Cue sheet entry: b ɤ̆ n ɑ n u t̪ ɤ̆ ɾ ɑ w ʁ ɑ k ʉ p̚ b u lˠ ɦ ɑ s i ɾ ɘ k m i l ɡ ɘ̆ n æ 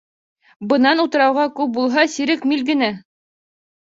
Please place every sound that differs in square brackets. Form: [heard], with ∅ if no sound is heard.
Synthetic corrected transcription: b ɤ̆ n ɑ n u t̪ ɤ̆ ɾ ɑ w ʁ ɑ k ʉ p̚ b u lˠ ɦ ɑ s i ɾ ɘ k m i l ɡ ɘ̆ n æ